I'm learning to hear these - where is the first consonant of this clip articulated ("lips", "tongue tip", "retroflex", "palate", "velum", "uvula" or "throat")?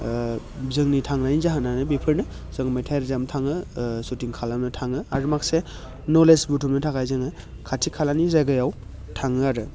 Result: tongue tip